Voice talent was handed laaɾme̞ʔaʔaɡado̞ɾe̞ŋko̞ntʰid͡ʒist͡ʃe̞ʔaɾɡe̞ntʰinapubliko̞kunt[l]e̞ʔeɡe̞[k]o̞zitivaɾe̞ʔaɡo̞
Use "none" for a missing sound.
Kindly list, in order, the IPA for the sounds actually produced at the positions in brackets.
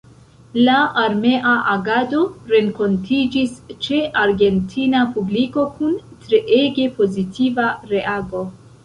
ɾ, p

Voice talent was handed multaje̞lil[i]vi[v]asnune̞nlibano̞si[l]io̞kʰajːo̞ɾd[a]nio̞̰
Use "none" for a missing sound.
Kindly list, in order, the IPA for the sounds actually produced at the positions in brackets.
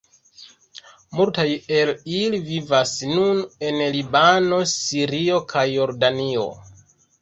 i, v, ɾ, a

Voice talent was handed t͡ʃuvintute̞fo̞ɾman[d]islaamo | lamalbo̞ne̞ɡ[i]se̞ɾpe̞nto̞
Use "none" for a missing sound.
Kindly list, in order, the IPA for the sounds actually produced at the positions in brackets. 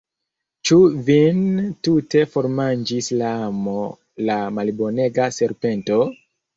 d͡ʒ, a

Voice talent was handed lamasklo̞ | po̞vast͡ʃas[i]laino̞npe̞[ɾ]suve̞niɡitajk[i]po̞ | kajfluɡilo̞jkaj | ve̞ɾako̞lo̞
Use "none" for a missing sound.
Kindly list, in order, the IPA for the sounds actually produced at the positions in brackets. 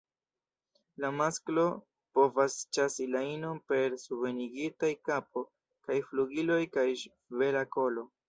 i, ɾ, a

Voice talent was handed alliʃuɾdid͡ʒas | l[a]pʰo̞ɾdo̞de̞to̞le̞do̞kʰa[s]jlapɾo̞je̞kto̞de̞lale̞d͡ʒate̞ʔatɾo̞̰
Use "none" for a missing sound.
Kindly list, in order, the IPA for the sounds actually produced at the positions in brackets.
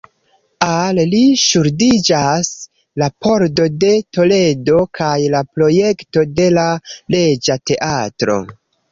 a, none

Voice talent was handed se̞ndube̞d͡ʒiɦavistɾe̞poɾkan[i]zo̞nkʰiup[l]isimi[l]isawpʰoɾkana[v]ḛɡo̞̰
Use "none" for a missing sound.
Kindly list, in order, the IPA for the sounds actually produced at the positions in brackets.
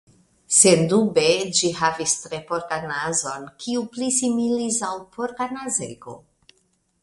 a, l, l, z

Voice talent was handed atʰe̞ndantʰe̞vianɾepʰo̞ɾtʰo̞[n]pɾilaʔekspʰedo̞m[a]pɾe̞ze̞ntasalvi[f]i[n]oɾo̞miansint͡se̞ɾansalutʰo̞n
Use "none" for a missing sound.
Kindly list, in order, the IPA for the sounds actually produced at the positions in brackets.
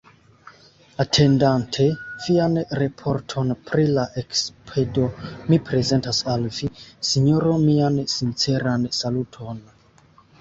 n, i, s, ɲ

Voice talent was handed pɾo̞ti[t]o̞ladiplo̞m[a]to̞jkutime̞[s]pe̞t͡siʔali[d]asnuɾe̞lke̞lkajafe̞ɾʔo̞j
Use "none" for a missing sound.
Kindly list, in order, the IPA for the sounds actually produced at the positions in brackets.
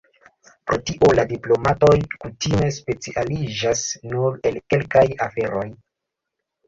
ʔ, a, s, d͡ʒ

